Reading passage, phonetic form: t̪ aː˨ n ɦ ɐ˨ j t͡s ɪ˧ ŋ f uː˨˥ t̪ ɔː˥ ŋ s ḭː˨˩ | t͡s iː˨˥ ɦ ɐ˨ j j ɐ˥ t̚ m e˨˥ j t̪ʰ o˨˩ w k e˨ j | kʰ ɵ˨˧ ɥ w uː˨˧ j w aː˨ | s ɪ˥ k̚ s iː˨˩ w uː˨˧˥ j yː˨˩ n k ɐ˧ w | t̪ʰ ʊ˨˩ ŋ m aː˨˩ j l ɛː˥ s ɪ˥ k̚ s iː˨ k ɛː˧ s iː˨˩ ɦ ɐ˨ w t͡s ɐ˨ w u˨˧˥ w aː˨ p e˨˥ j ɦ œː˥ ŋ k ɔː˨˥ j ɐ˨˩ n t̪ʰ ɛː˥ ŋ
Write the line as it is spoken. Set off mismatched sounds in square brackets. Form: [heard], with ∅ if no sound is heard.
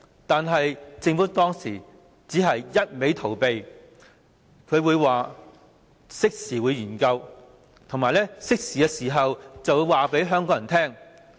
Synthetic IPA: t̪ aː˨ n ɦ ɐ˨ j t͡s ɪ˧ ŋ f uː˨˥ t̪ ɔː˥ ŋ s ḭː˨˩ | t͡s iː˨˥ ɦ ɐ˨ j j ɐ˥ t̚ m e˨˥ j t̪ʰ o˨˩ w [p] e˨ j | kʰ ɵ˨˧ ɥ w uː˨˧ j w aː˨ | s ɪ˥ k̚ s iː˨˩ w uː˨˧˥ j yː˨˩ n k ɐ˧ w | t̪ʰ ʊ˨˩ ŋ m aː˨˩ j l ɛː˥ s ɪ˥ k̚ s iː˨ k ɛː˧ s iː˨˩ ɦ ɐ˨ w t͡s ɐ˨ w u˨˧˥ w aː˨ p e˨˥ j ɦ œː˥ ŋ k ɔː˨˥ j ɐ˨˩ n t̪ʰ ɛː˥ ŋ